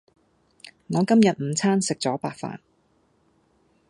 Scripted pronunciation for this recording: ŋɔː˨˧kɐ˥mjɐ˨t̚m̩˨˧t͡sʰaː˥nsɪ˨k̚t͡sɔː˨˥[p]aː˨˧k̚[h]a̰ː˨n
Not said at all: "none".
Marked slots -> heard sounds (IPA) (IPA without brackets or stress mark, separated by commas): p, f